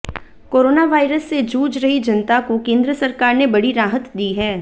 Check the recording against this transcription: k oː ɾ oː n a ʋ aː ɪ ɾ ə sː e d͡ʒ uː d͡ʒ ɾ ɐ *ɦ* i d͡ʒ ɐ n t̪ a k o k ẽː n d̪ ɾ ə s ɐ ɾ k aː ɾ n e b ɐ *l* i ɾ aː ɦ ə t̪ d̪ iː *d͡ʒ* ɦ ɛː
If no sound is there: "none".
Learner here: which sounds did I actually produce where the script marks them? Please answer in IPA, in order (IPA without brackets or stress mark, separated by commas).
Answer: ɦ, ɽ, none